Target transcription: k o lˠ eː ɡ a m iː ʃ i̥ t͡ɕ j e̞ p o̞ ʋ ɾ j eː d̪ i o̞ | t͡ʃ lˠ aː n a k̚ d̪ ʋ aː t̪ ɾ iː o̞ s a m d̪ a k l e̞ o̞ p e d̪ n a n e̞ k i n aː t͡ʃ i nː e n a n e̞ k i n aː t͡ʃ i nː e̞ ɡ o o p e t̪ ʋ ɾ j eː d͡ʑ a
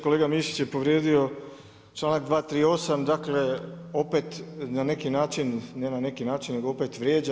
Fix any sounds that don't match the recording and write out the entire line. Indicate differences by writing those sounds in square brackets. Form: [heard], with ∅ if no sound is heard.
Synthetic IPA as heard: k o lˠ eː ɡ a m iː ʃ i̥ t͡ɕ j e̞ p o̞ ʋ ɾ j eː d̪ i o̞ | t͡ʃ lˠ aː n a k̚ d̪ ʋ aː t̪ ɾ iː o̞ s a m d̪ a k l e̞ o̞ p e [t̪] n a n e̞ k i n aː t͡ʃ i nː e n a n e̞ k i n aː t͡ʃ i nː e̞ ɡ o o p e t̪ ʋ ɾ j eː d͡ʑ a